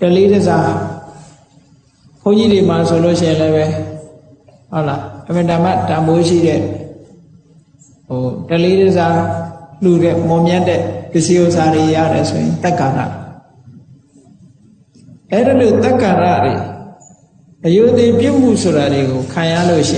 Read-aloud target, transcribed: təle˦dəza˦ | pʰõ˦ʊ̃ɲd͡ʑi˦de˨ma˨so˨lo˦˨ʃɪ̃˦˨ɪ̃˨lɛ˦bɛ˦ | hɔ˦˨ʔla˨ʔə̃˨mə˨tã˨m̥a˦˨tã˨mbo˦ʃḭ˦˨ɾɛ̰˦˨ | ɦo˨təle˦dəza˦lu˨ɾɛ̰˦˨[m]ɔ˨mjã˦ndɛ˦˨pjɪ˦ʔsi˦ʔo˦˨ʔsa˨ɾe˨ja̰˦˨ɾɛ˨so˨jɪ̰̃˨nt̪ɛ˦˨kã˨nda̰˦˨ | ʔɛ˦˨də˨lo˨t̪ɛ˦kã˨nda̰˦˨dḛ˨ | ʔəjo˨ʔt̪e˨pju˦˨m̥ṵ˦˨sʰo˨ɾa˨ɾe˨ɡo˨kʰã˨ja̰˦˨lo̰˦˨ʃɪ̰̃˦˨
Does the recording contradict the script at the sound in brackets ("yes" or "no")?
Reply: no